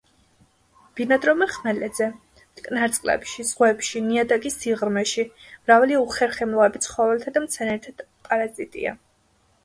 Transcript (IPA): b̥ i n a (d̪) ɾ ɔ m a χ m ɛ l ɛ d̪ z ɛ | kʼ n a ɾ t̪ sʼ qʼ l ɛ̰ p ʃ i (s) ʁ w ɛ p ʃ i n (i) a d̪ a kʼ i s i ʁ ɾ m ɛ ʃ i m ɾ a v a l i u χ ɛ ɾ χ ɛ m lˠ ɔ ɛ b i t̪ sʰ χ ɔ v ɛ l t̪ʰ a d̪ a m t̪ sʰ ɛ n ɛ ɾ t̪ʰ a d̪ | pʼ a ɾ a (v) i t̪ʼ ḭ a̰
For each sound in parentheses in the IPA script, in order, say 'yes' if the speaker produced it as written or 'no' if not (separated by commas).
yes, no, yes, no